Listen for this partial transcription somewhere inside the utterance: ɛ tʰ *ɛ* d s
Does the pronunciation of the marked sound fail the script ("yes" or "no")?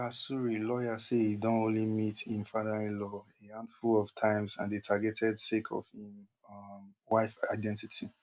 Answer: no